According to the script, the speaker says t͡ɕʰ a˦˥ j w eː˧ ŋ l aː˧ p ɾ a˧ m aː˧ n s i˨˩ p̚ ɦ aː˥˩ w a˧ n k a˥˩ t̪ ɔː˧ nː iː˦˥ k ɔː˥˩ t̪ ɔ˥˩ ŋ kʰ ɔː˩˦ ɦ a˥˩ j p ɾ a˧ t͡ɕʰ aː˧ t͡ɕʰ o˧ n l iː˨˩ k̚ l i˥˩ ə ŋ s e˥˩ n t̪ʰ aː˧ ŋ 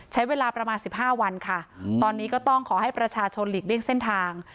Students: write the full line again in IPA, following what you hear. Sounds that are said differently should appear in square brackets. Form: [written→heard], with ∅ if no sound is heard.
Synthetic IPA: t͡ɕʰ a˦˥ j w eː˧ [ŋ→∅] l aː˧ p ɾ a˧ m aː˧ n s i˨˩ p̚ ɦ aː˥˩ w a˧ n [k→kʰ] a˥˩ t̪ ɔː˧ nː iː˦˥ k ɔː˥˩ t̪ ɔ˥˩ ŋ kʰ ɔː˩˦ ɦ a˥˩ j p ɾ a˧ t͡ɕʰ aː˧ t͡ɕʰ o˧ n l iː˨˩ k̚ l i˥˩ ə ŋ s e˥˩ n t̪ʰ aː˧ ŋ